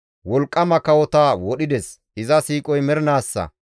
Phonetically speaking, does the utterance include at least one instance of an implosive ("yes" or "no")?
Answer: yes